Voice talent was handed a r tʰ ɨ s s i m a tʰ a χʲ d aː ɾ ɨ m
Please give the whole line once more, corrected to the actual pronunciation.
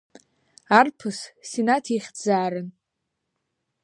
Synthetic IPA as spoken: a r pʰ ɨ s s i n a tʰ i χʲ d͡z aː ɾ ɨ n